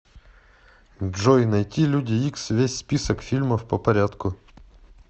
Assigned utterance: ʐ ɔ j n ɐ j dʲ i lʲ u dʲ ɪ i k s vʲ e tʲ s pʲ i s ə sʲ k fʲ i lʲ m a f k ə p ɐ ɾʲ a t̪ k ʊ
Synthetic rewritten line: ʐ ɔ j n ɐ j tʲ i lʲ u dʲ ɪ i k s vʲ e sʲ s pʲ i s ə k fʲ i lʲ m ə f p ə p ɐ ɾʲ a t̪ k ʊ